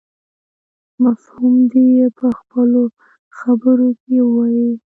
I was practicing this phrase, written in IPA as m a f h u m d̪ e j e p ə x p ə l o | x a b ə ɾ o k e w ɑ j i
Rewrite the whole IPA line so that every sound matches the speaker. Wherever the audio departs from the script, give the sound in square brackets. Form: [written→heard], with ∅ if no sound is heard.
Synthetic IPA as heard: m a f h u m d̪ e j e p ə x p ə l o | x a b ə ɾ o k e w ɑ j i

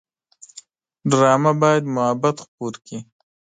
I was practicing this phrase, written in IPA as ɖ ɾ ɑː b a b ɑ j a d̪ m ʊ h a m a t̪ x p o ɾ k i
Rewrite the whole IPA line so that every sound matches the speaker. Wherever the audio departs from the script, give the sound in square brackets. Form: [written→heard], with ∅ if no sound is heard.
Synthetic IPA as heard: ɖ ɾ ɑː [b→m] a b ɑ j a d̪ m ʊ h a [m→b] a t̪ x p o ɾ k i

